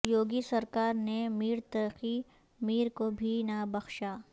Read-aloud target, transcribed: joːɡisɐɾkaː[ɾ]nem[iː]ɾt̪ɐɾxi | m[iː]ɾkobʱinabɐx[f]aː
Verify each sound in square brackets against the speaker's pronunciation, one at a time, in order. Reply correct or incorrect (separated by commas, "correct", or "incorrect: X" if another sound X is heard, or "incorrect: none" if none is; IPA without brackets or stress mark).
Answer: correct, correct, correct, incorrect: ʃ